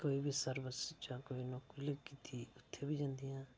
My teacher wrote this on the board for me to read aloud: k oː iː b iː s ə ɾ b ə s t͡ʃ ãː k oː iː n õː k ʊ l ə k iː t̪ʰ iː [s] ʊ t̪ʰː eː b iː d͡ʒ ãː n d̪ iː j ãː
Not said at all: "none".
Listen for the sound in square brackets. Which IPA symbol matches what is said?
none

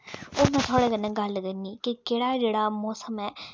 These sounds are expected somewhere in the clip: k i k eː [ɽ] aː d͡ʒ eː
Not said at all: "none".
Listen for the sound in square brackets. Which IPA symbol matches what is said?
ɽ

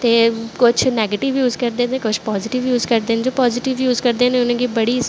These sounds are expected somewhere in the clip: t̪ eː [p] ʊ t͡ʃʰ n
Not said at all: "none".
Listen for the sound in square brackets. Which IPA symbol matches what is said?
k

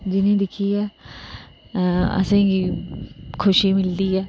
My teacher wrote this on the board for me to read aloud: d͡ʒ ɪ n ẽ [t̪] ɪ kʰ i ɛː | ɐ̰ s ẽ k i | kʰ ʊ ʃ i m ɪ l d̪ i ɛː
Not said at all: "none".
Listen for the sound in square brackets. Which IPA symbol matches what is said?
d̪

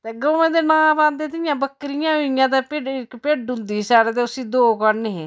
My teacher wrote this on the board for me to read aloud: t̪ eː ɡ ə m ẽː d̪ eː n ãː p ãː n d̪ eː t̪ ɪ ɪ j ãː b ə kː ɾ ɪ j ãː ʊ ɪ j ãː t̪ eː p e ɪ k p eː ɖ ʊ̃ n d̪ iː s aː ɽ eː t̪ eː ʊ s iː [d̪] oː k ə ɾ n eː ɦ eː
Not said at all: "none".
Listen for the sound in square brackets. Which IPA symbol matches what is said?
d̪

